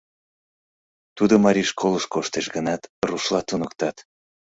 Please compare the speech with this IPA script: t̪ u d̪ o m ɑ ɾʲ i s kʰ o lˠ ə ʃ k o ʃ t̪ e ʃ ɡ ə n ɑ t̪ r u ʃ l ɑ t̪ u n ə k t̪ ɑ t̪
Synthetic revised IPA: t̪ u d̪ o m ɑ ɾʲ i ʃ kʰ o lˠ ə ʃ k o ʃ t̪ e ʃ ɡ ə n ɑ t̪ r u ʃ l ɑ t̪ u n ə k t̪ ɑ t̪